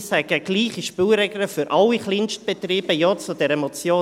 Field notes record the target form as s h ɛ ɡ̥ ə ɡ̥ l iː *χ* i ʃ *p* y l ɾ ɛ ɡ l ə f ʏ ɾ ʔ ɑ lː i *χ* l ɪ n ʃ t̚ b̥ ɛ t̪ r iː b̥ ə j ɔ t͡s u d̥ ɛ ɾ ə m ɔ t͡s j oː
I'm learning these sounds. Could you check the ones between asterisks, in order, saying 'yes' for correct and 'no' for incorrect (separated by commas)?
yes, yes, yes